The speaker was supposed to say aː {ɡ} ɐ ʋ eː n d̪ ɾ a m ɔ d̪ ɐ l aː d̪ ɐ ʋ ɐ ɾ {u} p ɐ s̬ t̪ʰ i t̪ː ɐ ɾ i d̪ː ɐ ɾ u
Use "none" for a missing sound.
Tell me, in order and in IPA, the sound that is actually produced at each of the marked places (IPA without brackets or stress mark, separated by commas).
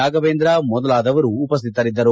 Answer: ɡ, uː